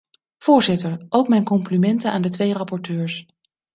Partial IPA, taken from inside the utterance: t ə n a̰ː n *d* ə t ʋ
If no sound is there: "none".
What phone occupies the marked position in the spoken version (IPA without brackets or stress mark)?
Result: d